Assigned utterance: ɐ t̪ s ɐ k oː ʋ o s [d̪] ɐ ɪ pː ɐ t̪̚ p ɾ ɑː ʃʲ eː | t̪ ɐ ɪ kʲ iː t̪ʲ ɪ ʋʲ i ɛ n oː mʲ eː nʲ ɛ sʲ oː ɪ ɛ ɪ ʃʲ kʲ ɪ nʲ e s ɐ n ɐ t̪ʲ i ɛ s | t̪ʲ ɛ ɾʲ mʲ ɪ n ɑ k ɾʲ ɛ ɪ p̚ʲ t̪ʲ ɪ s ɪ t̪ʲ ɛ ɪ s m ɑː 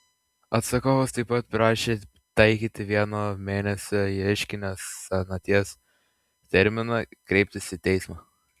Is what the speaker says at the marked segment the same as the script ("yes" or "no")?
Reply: no